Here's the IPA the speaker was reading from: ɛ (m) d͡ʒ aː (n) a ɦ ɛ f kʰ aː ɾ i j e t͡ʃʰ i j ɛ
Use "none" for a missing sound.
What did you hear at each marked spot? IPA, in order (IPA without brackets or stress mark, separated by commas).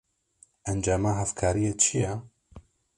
n, m